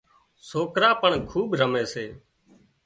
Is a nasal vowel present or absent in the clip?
absent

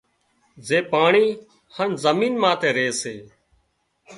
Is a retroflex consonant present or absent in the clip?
present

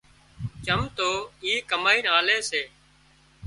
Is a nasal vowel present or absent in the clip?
absent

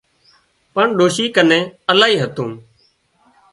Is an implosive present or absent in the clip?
present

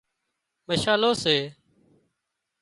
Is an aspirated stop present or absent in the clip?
absent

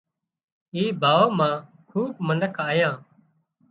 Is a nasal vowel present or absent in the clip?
present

